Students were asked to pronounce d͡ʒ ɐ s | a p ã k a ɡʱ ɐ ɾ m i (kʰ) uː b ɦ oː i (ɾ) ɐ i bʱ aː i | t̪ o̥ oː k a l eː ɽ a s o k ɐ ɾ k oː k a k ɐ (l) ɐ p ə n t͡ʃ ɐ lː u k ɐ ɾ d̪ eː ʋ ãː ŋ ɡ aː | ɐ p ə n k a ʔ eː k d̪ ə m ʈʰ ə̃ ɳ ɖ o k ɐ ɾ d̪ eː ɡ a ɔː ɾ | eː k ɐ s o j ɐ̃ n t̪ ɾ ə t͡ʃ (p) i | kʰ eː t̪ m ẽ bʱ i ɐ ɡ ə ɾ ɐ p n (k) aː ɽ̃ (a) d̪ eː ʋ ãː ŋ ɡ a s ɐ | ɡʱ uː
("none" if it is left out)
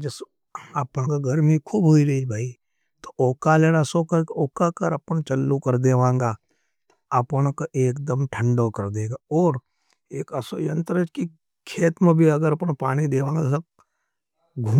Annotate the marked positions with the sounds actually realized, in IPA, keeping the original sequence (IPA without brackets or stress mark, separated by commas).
kʰ, ɾ, ɾ, k, p, i